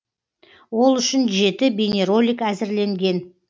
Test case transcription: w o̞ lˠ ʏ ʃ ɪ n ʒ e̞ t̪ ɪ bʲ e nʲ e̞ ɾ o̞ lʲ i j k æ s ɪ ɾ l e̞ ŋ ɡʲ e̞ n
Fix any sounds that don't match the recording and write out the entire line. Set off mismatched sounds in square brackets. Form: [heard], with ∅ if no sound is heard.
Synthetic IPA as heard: w o̞ lˠ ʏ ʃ ɪ n ʒ e̞ t̪ ɪ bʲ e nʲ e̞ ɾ o̞ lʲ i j k æ [z] ɪ ɾ l e̞ ŋ ɡʲ e̞ n